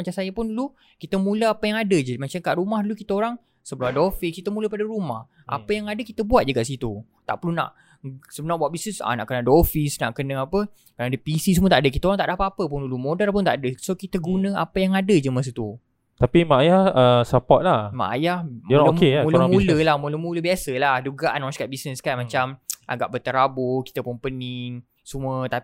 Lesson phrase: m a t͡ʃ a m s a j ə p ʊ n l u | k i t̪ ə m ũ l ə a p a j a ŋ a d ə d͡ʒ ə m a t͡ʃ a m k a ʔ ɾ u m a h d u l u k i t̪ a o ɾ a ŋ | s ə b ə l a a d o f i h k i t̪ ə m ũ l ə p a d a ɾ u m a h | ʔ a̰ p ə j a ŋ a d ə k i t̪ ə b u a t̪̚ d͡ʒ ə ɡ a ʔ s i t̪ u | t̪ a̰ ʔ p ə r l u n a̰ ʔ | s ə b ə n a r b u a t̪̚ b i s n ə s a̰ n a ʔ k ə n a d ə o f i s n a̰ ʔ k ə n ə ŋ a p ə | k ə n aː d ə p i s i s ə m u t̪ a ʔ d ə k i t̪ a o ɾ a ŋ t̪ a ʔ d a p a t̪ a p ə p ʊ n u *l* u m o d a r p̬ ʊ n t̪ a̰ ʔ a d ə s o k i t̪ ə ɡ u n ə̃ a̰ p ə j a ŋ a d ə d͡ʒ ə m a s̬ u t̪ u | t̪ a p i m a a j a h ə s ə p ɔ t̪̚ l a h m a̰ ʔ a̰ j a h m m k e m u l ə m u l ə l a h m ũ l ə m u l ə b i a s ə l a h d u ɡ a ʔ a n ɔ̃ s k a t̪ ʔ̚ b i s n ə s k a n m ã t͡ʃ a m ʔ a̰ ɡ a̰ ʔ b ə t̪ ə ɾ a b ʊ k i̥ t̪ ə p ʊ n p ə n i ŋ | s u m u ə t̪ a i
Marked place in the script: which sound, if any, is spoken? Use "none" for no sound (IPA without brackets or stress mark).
l